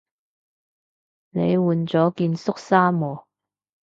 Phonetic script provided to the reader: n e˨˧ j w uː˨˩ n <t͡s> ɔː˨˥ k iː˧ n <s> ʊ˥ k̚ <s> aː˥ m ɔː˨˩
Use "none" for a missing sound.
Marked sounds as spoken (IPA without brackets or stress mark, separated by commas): t͡s, s, s